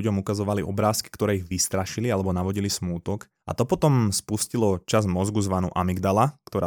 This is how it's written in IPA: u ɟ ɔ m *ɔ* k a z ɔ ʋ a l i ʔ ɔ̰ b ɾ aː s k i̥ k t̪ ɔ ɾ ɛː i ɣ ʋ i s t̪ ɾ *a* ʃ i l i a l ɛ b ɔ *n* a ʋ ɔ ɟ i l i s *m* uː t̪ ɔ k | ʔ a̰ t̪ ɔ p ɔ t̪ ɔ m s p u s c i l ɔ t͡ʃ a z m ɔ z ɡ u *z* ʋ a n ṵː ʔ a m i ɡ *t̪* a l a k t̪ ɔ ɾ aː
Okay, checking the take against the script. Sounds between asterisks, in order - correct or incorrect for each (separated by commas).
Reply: incorrect, correct, correct, correct, correct, incorrect